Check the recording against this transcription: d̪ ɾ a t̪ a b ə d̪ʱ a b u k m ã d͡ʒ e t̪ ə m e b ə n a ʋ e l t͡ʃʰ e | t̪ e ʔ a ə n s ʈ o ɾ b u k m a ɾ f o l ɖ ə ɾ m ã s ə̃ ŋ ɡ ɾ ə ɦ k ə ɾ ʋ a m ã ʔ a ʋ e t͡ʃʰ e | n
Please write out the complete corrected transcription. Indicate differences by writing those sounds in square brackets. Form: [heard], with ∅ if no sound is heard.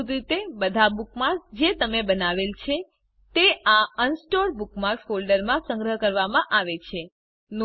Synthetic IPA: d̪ ɾ [i] t̪ [e] b ə d̪ʱ a b u k m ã d͡ʒ e t̪ ə m e b ə n a ʋ e l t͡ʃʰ e | t̪ e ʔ a ə n s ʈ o ɾ b u k m a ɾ f o l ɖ ə ɾ m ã s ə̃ ŋ ɡ ɾ ə ɦ k ə ɾ ʋ a m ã ʔ a ʋ e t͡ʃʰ e | n